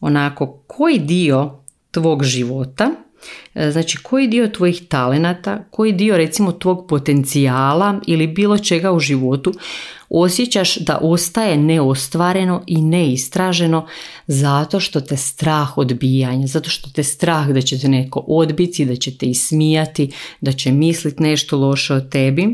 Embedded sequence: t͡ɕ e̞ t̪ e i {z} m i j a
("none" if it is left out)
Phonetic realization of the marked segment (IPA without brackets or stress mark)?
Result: s